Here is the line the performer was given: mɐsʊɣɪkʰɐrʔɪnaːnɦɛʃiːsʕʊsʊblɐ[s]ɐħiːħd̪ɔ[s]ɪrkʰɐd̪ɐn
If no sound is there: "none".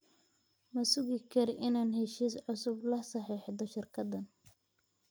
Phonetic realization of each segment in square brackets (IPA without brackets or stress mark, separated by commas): s, ʃ